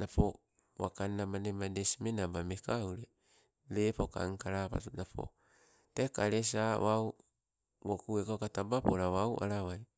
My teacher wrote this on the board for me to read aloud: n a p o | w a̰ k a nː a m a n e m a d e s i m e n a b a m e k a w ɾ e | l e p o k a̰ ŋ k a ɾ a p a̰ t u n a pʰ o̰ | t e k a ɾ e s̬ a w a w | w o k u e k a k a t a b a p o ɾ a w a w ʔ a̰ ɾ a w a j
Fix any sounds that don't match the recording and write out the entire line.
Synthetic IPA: n a p o | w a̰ k a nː a m a n e m a d e s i m e n a b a m e k a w ɾ e | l e p o k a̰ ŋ k a ɾ a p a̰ t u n a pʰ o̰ | t e k a ɾ e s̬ a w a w | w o k u e k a k a t a b a p o ɾ a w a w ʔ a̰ ɾ a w a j